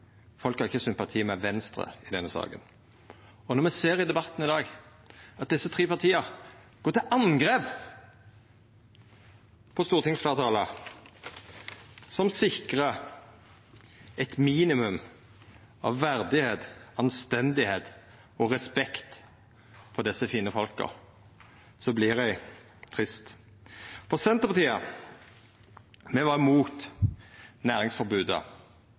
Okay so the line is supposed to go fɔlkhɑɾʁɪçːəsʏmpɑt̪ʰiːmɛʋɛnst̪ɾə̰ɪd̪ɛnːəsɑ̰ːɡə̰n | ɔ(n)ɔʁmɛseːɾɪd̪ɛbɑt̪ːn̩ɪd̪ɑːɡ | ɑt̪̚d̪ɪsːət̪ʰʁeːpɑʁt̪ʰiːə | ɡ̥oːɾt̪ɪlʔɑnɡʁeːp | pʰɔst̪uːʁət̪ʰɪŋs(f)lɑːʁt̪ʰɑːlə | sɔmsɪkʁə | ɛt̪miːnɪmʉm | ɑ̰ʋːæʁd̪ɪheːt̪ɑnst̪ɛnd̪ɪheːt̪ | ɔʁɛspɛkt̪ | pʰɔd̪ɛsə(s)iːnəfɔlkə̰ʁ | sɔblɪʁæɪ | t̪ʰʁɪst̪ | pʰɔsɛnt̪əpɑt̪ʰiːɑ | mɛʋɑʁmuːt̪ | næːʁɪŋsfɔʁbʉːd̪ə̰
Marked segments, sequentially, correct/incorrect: correct, correct, incorrect

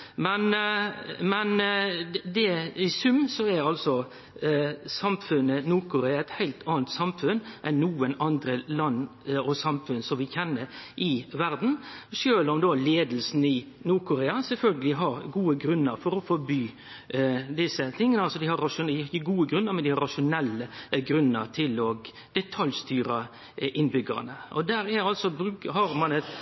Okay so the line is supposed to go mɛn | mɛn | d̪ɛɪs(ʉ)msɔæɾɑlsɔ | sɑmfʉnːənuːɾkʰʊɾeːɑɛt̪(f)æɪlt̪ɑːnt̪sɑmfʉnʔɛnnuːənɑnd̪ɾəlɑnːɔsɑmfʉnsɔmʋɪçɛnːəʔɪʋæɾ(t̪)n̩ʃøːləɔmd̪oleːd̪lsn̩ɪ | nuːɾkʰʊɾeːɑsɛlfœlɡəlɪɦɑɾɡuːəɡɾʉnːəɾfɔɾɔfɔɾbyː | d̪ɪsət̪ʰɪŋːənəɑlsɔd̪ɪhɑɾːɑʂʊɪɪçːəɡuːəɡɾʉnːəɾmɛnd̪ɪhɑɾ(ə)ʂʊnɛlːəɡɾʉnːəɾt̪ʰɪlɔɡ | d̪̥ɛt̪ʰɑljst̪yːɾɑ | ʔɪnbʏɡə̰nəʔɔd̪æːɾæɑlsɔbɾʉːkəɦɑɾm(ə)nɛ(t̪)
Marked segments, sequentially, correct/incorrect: correct, incorrect, incorrect, incorrect, incorrect, correct

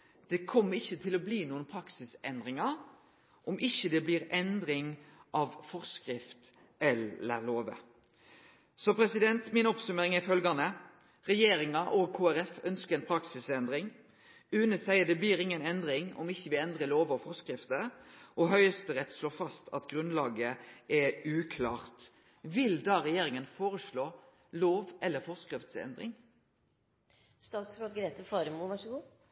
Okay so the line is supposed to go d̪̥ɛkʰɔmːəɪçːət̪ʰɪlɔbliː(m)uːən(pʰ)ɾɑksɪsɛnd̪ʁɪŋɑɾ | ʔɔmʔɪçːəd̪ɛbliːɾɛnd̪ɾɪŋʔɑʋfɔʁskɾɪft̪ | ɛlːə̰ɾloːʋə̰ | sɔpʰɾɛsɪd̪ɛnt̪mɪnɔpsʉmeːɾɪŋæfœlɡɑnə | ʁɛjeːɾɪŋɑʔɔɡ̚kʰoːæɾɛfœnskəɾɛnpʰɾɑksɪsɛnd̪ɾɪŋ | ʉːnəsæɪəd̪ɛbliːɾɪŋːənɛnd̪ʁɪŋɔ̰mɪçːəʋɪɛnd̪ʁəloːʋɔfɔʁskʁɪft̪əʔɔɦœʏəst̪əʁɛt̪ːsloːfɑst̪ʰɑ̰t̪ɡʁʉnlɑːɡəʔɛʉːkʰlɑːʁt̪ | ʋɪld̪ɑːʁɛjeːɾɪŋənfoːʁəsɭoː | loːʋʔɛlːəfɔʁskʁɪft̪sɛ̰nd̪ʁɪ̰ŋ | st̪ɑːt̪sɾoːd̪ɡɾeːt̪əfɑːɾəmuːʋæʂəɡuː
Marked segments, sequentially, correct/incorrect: incorrect, correct

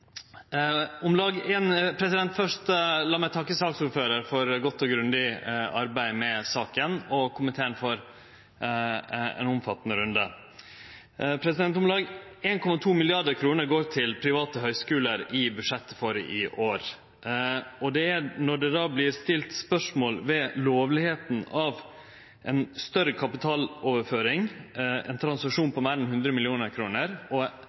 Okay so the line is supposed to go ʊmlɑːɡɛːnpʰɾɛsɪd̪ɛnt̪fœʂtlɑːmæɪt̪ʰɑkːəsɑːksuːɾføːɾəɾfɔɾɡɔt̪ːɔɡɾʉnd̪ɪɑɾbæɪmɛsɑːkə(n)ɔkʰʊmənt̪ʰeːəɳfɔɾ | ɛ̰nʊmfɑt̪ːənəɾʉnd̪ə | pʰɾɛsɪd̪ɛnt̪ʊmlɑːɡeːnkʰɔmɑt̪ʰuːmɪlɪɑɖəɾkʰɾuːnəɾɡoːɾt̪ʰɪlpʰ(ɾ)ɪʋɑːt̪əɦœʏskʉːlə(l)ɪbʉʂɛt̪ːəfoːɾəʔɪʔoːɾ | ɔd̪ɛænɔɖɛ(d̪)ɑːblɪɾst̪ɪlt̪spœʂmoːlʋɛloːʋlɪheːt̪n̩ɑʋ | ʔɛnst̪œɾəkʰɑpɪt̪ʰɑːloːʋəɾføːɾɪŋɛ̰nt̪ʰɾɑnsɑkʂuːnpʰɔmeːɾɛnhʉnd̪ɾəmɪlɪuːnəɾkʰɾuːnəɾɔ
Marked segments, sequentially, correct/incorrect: correct, correct, incorrect, correct

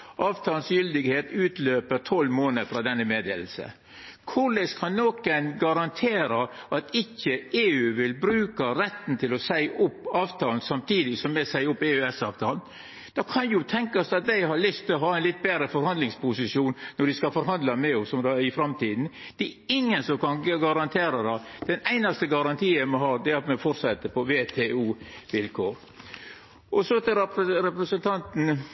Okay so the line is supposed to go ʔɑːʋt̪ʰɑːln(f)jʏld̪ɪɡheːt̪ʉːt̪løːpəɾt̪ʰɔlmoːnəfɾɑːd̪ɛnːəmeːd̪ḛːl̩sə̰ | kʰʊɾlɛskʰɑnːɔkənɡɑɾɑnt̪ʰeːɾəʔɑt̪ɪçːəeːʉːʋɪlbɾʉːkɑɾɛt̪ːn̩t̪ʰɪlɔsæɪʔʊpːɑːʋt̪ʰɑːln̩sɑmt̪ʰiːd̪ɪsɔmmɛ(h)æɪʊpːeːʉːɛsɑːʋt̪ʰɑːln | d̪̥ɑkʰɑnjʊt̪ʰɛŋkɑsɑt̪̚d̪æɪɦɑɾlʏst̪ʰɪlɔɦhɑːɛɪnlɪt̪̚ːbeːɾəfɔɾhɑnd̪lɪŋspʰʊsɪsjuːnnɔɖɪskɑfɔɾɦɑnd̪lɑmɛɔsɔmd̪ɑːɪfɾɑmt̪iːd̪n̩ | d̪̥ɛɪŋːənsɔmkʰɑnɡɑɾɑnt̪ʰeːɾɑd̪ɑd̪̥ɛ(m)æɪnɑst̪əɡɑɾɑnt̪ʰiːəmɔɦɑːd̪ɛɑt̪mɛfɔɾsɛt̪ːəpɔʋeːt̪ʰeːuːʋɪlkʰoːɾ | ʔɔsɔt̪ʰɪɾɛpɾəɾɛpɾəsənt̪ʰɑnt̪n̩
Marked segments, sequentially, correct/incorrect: incorrect, incorrect, incorrect

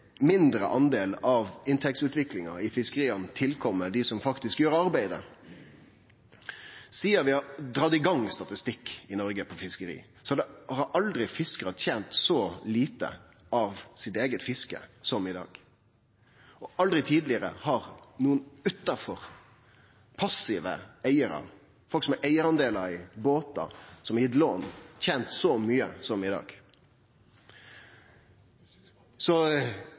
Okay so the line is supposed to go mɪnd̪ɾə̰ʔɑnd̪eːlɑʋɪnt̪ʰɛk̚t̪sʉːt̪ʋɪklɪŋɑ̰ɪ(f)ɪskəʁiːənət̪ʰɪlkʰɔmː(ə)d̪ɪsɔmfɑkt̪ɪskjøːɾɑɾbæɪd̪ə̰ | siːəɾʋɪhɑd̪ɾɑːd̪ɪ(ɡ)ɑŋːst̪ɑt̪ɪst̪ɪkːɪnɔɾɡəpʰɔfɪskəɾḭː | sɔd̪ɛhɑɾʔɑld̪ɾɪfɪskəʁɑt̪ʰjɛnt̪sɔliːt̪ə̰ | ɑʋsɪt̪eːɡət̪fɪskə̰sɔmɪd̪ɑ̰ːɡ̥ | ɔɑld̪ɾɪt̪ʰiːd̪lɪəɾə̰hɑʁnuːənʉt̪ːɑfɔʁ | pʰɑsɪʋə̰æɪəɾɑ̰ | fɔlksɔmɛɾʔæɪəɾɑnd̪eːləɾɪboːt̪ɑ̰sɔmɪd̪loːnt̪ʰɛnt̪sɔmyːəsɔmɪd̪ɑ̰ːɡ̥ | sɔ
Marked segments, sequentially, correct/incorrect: correct, correct, correct

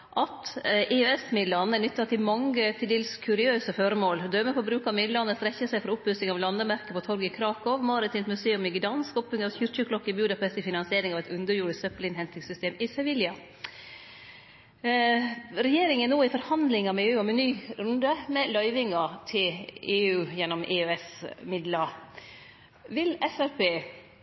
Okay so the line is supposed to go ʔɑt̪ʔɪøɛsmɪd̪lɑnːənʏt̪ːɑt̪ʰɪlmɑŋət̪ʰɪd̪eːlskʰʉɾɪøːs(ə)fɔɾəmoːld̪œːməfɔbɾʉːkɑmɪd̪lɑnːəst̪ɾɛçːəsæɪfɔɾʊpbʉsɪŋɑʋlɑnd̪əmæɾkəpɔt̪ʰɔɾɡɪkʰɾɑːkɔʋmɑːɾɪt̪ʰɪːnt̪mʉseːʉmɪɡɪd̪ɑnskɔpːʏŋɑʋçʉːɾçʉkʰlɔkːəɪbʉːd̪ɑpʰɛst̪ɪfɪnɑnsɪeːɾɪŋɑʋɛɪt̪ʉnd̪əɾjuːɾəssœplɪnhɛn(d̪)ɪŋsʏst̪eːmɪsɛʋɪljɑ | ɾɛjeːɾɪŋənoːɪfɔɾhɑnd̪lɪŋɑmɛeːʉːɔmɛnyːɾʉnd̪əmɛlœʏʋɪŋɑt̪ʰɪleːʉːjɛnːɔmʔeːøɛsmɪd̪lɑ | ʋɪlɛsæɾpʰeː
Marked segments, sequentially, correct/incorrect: correct, incorrect

